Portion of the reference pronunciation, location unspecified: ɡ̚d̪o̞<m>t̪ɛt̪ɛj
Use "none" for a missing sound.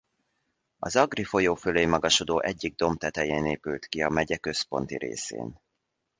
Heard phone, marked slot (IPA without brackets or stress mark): m